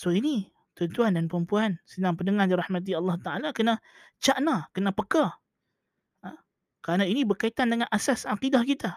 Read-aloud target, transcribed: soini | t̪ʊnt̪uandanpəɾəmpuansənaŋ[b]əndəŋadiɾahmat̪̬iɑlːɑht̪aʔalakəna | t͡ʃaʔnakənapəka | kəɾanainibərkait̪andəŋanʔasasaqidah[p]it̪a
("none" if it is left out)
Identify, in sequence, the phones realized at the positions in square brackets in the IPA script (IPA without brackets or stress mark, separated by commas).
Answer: p, k